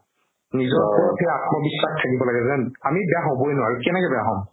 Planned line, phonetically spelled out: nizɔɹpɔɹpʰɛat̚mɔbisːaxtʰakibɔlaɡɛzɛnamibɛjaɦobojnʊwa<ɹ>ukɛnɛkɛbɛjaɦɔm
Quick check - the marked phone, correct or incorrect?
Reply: correct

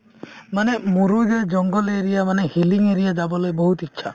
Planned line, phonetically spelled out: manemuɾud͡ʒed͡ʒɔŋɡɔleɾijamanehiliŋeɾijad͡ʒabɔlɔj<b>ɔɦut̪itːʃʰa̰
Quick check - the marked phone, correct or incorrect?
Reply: correct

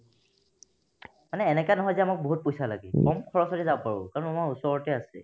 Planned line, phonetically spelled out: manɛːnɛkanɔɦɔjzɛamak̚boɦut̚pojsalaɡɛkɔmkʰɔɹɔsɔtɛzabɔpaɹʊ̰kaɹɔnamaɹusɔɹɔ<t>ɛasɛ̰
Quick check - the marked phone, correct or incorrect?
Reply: correct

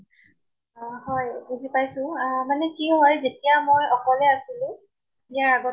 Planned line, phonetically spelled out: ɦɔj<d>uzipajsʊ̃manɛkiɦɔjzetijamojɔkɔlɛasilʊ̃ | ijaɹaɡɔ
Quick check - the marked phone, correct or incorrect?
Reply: incorrect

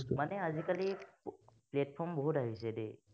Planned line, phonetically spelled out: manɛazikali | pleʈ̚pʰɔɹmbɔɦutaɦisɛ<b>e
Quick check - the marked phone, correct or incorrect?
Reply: incorrect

